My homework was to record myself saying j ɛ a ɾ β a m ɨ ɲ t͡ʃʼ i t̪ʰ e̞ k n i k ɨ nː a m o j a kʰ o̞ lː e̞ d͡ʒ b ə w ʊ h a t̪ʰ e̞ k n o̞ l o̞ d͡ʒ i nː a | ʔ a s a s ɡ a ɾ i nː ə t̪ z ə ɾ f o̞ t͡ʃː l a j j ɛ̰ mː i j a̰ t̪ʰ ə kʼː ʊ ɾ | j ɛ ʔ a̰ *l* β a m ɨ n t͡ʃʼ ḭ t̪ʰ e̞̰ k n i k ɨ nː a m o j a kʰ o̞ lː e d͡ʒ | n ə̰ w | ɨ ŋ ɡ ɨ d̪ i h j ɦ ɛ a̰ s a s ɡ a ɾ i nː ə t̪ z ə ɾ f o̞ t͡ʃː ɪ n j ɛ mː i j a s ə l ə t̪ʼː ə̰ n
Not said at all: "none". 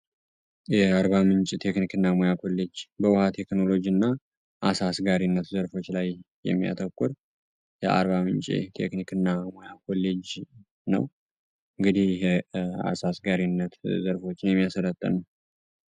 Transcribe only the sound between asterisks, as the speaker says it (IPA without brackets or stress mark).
ɾ